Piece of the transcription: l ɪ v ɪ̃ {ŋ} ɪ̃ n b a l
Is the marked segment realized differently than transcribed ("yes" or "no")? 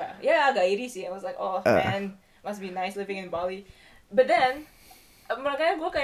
no